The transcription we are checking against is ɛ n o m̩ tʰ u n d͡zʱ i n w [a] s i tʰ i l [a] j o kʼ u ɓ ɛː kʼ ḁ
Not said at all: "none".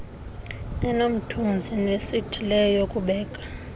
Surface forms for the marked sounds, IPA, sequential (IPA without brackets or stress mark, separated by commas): e, ɛ